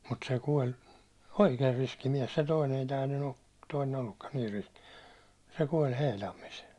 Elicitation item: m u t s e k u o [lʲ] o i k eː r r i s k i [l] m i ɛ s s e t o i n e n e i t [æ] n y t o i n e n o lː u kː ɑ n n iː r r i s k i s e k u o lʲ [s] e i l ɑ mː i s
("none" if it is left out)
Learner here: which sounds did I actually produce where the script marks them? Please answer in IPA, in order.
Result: lʲ, none, æː, h

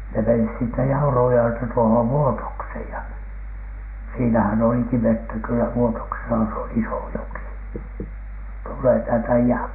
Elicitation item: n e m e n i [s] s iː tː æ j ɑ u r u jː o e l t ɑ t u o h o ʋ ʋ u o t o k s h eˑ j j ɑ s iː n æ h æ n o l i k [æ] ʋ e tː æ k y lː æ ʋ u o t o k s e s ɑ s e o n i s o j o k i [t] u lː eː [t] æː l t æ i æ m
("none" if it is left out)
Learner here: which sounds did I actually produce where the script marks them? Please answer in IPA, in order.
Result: s, i, t, t

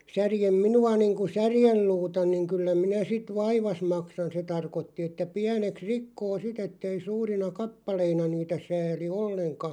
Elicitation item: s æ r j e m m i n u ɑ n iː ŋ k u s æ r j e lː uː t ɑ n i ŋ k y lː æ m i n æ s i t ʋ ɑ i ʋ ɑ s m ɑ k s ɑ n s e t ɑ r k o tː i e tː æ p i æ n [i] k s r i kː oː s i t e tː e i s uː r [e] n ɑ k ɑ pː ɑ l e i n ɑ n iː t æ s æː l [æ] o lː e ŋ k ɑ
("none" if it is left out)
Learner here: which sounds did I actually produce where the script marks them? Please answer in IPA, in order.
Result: e, i, i

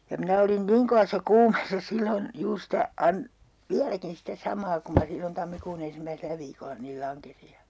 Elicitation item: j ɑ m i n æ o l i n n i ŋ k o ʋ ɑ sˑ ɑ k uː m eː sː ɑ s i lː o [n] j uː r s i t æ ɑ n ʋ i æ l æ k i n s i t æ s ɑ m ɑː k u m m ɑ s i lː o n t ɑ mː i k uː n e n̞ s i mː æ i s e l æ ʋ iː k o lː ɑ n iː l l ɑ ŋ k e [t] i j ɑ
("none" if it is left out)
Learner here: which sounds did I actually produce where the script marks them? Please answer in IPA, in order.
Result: n, s

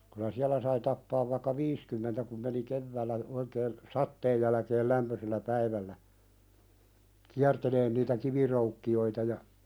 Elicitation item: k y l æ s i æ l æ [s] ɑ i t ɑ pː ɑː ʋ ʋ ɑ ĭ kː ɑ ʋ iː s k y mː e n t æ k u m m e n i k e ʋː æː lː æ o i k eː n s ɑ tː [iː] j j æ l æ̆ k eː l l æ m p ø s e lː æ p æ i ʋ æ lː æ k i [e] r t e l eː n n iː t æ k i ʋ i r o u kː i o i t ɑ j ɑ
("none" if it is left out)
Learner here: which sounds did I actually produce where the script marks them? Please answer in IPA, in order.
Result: s, eː, æ

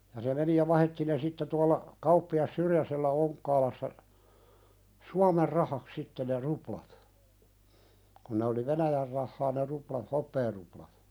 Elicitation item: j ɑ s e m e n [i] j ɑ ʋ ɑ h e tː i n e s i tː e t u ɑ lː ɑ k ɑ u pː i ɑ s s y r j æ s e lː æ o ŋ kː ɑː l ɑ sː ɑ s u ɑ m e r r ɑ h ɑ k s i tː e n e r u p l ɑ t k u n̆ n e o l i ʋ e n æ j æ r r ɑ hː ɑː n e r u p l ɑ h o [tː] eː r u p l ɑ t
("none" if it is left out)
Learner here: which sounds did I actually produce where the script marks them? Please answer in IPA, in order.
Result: i, pː

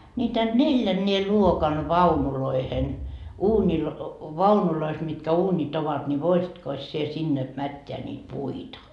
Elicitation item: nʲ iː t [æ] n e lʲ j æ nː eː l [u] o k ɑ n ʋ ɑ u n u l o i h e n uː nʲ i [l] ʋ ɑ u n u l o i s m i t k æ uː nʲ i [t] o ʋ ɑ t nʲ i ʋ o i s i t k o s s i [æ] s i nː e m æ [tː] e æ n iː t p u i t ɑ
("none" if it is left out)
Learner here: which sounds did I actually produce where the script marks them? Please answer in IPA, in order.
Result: æ, u, l, t, e, tː

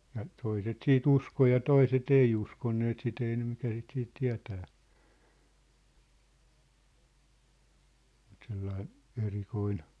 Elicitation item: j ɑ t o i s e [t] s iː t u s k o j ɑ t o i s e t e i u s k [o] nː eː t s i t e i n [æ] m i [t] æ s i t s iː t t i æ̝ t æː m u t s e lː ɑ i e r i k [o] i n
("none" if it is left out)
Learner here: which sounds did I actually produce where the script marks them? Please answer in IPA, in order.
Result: t, o, e, k, o

